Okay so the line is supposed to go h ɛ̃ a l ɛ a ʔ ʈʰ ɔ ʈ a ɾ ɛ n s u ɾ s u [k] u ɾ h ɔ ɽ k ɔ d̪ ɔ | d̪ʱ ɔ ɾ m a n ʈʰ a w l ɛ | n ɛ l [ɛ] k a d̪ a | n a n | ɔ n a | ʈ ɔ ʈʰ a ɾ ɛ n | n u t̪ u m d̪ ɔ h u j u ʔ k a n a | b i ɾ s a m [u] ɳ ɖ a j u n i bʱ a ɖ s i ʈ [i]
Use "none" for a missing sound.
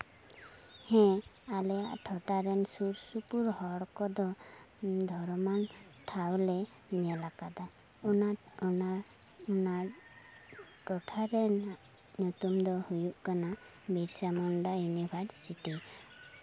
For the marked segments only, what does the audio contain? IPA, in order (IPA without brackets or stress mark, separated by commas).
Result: p, a, ɔ, i